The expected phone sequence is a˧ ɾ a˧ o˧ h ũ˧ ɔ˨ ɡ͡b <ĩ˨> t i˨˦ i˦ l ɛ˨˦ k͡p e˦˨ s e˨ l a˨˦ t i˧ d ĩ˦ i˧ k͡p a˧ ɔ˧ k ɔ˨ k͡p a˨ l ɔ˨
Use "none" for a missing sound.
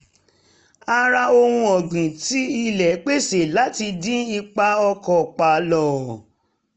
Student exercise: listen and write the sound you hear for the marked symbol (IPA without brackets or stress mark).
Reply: ĩ˨